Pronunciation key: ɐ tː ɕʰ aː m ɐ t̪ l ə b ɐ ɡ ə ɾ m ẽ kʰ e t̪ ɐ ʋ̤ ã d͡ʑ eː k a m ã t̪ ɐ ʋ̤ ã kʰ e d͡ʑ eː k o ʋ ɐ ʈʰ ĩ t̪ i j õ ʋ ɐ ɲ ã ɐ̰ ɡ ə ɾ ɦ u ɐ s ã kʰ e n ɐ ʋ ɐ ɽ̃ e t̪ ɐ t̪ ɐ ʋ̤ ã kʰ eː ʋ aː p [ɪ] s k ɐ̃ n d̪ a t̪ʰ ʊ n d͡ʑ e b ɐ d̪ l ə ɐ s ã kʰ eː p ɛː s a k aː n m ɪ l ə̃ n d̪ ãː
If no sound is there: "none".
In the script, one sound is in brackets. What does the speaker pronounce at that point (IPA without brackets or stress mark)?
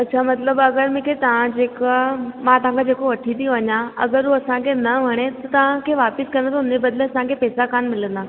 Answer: ɪ